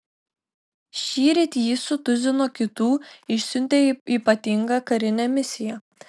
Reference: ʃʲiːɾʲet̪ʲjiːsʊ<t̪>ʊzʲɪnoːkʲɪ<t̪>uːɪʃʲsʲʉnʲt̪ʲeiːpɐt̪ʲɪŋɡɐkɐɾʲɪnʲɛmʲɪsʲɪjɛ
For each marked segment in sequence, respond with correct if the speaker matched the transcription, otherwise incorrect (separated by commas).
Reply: correct, correct